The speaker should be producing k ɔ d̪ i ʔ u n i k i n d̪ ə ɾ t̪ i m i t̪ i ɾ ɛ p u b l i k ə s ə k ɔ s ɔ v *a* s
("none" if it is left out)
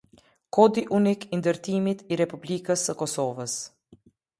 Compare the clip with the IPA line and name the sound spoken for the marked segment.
ə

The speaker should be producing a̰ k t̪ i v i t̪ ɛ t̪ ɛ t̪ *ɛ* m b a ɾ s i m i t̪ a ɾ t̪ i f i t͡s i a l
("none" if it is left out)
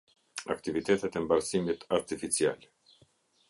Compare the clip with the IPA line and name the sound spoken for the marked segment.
ɛ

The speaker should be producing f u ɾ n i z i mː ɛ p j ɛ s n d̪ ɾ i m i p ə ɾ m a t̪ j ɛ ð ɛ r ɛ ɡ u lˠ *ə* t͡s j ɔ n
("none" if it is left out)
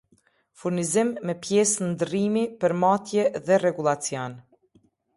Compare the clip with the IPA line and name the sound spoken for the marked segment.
a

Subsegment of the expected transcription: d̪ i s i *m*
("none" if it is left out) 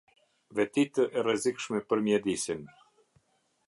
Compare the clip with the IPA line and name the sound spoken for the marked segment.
n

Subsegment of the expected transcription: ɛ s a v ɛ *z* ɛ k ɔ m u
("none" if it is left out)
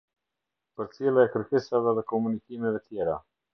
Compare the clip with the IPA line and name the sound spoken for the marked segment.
ð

